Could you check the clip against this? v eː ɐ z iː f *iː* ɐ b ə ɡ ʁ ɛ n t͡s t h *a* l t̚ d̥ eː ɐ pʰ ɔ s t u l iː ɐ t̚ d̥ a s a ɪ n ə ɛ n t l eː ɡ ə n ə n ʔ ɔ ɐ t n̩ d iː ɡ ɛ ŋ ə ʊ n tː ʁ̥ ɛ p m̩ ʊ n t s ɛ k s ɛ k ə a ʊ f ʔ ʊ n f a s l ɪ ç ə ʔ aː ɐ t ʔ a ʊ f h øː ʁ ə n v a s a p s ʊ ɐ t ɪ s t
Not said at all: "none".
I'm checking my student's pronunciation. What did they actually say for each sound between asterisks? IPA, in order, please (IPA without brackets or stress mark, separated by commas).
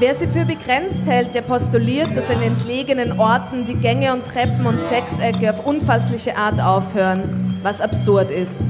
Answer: yː, ɛ